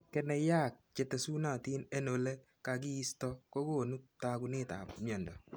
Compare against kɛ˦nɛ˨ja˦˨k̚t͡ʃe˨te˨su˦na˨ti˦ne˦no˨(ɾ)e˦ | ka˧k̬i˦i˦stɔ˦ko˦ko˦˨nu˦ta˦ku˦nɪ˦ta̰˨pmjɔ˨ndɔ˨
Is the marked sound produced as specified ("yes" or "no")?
no